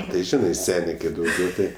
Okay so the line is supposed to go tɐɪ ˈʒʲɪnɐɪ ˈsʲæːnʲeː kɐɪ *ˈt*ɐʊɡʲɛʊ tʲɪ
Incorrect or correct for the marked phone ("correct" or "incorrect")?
incorrect